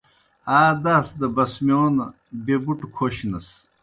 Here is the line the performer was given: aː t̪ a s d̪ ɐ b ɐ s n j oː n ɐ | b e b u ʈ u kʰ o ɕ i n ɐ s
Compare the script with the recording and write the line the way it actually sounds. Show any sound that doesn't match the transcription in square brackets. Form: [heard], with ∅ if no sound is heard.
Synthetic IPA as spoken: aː [d̪] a s d̪ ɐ b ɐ s [m] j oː n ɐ | b e b u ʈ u kʰ o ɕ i n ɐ s